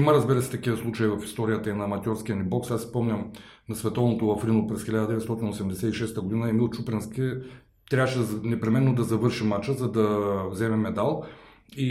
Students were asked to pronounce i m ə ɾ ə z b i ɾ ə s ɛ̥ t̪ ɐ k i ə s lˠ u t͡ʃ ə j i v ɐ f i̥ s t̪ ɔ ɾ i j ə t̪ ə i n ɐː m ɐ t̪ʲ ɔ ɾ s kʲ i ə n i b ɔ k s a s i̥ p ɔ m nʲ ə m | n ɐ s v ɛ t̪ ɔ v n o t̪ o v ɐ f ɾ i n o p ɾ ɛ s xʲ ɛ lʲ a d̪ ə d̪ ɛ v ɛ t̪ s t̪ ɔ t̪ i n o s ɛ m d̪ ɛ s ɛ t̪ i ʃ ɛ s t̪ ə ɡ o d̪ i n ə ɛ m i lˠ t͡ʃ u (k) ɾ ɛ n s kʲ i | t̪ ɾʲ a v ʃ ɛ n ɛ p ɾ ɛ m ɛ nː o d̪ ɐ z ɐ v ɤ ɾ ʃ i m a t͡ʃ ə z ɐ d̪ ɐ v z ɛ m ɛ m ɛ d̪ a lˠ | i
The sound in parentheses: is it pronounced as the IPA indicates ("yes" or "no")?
no